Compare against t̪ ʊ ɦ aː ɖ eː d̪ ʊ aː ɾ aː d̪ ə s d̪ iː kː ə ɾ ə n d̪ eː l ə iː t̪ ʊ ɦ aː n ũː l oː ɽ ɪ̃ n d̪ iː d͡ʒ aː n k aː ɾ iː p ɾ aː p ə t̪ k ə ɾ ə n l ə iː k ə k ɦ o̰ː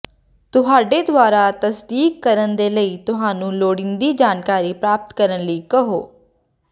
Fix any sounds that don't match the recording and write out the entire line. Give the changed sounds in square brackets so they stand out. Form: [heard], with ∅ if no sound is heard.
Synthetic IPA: t̪ ʊ ɦ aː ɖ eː d̪ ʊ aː ɾ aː [t̪] ə s d̪ iː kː ə ɾ ə n d̪ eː l ə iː t̪ ʊ ɦ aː n ũː l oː ɽ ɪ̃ n d̪ iː d͡ʒ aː n k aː ɾ iː p ɾ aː p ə t̪ k ə ɾ ə n l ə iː k ə [∅] ɦ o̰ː